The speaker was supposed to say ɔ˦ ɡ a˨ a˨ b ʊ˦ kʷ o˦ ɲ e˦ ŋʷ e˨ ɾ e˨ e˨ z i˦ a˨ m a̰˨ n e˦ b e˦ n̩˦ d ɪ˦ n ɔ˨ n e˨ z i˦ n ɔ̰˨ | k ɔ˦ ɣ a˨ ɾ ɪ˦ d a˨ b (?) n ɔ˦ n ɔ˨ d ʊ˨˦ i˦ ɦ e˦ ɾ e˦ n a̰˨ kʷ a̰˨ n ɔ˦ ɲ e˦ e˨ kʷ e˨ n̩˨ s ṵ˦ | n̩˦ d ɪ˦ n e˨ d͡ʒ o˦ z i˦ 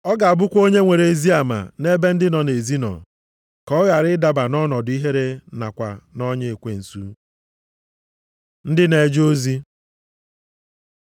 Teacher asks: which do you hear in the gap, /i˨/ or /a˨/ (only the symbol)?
a˨